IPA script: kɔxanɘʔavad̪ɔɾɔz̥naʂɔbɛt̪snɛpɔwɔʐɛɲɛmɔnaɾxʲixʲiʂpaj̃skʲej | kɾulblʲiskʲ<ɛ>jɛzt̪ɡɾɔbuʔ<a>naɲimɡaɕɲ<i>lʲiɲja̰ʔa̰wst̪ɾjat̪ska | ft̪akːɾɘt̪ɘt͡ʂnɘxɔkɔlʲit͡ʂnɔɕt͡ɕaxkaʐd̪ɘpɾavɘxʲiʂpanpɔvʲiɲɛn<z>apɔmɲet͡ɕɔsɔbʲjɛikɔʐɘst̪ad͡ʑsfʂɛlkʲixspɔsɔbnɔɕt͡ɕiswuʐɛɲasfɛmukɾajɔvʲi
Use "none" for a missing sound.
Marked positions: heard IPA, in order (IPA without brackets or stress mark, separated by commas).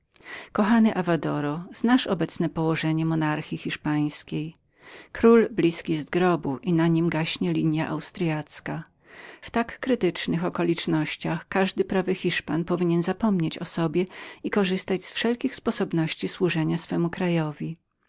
i, i, ɛ, z